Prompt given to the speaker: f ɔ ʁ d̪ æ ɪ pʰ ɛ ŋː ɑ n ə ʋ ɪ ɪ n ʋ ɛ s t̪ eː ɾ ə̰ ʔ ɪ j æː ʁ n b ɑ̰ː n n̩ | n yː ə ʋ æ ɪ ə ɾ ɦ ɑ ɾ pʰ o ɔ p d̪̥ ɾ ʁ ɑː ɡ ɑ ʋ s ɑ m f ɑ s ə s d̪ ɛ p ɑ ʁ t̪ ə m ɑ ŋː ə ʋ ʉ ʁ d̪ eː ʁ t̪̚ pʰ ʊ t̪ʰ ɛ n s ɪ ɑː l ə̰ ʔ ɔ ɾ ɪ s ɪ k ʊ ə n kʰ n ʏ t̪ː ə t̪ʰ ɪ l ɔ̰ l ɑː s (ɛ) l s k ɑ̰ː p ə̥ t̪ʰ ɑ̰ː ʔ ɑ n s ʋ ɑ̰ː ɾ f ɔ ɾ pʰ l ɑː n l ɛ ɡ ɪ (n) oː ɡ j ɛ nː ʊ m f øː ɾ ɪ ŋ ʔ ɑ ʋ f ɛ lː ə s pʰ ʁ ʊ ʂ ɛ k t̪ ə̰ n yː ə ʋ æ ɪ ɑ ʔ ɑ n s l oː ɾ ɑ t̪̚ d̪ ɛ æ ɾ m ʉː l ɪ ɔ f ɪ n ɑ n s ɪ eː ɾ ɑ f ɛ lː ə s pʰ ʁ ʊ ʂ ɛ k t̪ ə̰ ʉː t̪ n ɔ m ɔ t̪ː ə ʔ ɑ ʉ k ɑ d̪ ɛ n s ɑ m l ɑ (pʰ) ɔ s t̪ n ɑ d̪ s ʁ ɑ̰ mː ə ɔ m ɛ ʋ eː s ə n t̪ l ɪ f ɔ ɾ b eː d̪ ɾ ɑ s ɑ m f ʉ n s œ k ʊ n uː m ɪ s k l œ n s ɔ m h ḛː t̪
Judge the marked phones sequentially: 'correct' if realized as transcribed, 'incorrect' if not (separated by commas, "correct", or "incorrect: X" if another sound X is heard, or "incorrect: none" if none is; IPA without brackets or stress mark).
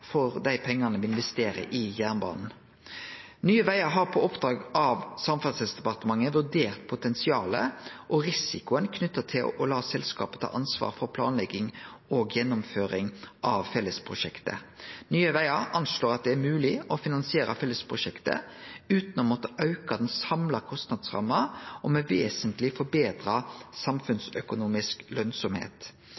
correct, incorrect: ŋ, incorrect: kʰ